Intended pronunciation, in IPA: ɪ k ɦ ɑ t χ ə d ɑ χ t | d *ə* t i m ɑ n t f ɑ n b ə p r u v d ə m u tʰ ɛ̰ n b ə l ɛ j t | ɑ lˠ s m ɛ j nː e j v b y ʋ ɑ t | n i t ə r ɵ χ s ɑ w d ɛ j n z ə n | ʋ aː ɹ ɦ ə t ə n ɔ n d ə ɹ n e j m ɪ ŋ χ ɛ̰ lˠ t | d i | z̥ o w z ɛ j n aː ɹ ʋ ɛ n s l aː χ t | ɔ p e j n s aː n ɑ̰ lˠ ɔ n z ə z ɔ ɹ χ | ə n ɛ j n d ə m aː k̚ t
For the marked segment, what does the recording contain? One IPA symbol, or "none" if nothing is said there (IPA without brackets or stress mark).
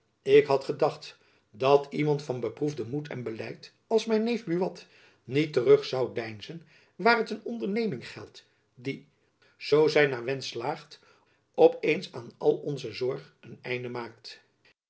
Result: ɑ